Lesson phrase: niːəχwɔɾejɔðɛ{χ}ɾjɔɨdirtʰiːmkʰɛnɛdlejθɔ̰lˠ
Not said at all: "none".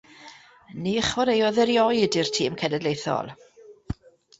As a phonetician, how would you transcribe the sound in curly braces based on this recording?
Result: none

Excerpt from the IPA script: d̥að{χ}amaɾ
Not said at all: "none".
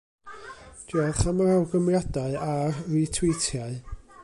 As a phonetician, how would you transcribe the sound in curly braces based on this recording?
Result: χ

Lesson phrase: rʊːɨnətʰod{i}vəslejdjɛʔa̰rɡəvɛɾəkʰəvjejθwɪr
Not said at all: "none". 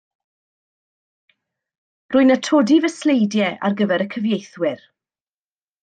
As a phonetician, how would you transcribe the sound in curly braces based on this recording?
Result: i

